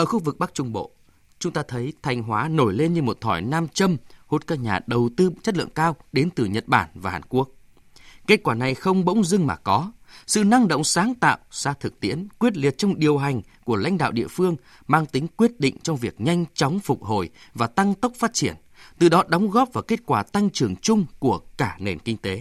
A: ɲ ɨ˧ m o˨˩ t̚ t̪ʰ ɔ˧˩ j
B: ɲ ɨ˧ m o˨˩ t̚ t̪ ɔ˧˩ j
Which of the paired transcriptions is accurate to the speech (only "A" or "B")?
A